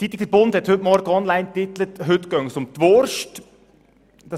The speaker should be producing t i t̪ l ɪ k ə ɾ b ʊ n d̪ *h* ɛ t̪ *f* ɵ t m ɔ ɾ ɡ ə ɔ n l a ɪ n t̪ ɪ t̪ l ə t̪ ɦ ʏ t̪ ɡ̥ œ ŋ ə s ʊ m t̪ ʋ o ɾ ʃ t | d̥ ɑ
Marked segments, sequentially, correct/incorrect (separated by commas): correct, incorrect